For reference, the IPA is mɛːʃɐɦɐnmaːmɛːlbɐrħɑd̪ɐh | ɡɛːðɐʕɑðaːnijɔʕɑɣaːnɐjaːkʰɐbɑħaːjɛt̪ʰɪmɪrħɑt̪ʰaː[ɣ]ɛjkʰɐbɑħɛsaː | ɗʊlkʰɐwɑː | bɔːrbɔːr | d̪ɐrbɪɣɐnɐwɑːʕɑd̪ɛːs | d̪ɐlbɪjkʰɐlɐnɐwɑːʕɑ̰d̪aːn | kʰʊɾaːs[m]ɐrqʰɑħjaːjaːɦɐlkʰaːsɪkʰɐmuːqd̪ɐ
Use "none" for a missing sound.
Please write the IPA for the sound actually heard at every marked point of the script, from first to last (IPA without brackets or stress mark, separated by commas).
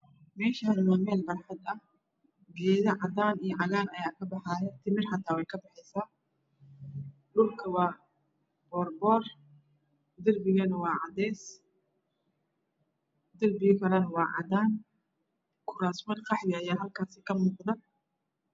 w, m